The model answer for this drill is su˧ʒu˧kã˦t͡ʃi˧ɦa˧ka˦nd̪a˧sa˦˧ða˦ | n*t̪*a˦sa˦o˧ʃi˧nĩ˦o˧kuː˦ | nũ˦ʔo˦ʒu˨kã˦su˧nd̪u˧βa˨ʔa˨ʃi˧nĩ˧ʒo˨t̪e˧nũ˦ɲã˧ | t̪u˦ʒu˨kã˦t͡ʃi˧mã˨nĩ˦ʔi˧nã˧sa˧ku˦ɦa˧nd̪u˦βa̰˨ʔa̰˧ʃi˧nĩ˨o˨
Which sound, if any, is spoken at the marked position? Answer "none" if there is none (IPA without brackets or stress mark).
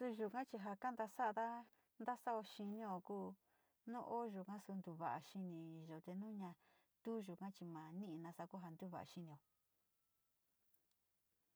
d̪